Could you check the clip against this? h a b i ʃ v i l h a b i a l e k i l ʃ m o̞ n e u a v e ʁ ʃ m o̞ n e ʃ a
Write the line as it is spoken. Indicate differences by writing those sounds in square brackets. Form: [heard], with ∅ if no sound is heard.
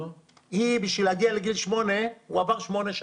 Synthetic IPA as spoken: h [i] b i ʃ v i l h a [ɡ] i a l e [ɡ] i l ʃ m o̞ n e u a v [a] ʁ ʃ m o̞ n e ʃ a